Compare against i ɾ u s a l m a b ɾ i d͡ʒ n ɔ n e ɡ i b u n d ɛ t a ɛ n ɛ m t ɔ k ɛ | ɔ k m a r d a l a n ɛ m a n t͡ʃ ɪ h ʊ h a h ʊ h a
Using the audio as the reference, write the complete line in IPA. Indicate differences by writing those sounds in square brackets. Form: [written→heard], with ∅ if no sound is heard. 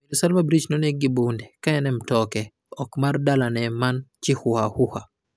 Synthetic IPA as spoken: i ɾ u s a l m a b ɾ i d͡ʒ n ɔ n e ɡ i b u n d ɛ [t→k] a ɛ n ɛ m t ɔ k ɛ | ɔ k m a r d a l a n ɛ m a n t͡ʃ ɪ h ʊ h a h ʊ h a

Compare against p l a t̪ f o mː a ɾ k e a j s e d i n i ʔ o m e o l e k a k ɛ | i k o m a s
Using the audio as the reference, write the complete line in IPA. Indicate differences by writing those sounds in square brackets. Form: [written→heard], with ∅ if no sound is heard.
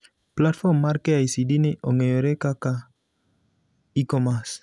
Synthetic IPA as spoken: p l a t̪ f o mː a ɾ k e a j s [e→i] d i n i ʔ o [m→ŋ] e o [l→ɾ] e k a k [ɛ→a] | i k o m a s

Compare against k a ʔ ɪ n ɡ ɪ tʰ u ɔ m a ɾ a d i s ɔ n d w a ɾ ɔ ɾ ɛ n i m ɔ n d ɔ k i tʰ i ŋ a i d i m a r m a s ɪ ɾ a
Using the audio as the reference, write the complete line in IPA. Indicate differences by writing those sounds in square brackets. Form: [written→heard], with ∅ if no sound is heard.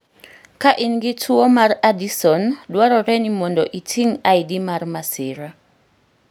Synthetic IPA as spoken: k a ʔ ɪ n ɡ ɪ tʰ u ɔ m a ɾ a d i s ɔ n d w a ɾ ɔ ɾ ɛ n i m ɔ n d ɔ [k→ʔ] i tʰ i ŋ a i d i m a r m a s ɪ ɾ a

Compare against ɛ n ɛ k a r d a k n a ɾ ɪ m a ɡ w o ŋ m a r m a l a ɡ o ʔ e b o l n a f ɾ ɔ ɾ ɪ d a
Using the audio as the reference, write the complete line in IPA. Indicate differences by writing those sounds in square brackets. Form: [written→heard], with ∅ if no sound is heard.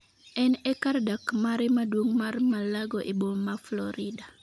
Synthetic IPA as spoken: ɛ n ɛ k a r d a k [n→m] a ɾ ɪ m a [ɡ→d] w o ŋ m a r m a l a ɡ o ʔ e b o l [n→m] a f [ɾ→l] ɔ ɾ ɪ d a

